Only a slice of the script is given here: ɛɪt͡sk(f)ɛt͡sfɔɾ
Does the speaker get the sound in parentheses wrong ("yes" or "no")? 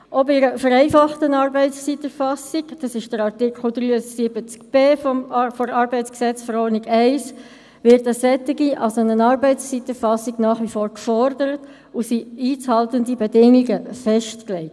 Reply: yes